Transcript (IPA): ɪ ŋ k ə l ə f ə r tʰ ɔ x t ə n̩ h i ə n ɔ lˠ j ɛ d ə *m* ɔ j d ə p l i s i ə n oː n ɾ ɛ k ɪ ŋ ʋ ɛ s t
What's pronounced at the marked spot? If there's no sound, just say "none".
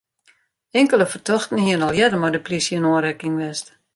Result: m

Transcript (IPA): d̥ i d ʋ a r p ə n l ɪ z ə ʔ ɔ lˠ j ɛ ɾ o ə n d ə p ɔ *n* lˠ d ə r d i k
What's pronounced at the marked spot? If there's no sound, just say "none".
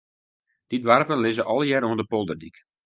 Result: none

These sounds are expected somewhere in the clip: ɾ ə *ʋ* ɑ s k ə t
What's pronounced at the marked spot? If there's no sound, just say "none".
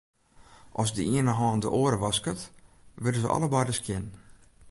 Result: ʋ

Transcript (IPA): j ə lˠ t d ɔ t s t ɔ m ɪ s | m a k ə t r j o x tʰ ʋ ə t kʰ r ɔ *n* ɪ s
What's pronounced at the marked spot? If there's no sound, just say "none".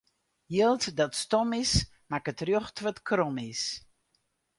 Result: m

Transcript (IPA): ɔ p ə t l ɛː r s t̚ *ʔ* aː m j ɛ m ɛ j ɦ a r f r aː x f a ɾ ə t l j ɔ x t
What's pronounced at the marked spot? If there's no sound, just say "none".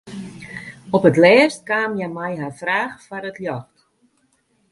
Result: k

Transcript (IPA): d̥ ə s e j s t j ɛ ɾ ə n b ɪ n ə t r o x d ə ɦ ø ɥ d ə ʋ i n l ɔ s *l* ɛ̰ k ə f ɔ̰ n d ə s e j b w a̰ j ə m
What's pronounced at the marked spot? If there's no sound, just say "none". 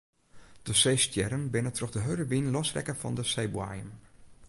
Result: r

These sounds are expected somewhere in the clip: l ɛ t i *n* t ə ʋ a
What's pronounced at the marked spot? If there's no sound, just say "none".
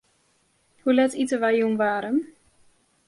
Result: none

